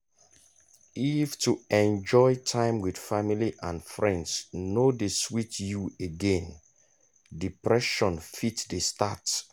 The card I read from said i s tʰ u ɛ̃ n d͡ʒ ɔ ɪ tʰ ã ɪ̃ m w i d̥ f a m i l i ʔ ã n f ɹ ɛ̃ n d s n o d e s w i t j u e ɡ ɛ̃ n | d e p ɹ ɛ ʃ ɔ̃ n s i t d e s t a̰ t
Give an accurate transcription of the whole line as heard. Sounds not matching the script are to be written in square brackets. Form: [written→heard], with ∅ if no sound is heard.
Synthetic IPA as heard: i [s→f] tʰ u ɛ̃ n d͡ʒ ɔ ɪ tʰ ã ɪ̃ m w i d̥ f a m i l i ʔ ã n f ɹ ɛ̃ n d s n o d e s w i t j u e ɡ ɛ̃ n | d [e→i] p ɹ ɛ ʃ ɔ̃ n [s→f] i t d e s t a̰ t